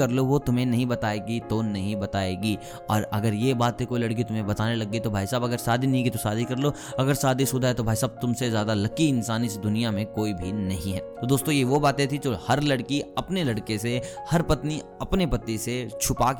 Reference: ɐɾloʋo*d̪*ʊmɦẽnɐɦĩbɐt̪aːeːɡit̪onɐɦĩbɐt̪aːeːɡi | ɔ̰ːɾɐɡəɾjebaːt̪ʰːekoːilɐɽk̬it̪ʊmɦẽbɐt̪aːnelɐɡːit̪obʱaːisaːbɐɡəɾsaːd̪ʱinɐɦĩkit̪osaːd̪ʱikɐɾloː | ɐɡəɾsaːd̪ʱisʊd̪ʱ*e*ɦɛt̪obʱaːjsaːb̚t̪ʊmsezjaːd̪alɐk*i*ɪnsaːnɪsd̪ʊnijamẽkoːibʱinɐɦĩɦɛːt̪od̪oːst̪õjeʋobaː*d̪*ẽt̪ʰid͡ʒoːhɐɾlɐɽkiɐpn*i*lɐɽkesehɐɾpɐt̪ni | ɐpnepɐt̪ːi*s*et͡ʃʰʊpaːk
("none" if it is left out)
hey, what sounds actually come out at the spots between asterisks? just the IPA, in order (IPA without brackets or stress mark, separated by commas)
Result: t̪, a, i, t̪, e, s